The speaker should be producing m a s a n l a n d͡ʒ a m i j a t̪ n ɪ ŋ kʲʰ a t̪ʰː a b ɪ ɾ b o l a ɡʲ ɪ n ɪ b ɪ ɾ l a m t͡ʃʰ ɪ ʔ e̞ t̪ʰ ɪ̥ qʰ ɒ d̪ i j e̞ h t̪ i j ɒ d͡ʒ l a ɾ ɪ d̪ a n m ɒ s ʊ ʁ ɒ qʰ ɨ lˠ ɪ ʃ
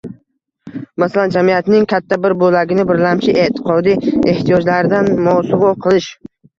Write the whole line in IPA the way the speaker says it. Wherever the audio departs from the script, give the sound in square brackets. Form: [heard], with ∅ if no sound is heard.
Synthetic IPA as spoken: m a s a [∅] l a n d͡ʒ a m i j a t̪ n ɪ ŋ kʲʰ a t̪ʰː a b ɪ ɾ b o l a ɡʲ ɪ n ɪ b ɪ ɾ l a m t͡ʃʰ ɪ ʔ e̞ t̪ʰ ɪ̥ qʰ ɒ d̪ i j e̞ h t̪ i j ɒ d͡ʒ l a ɾ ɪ d̪ a n m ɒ s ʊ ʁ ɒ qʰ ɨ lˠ ɪ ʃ